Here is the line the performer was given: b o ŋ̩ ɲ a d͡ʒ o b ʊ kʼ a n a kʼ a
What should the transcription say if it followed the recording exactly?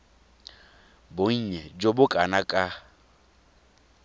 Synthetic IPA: b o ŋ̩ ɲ ɛ d͡ʒ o b ʊ kʼ a n a kʼ a